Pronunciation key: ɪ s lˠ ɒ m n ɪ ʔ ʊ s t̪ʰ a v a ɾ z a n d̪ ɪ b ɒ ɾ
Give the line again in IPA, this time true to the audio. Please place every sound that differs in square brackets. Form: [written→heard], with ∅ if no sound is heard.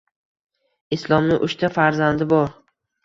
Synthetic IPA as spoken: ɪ s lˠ ɒ m n ɪ ʔ ʊ [s→ʃ] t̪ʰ a [v→f] a ɾ z a n d̪ ɪ b ɒ ɾ